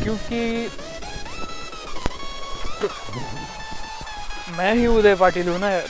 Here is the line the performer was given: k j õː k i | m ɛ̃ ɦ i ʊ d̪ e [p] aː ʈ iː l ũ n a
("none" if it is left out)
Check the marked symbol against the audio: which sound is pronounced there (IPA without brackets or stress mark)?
p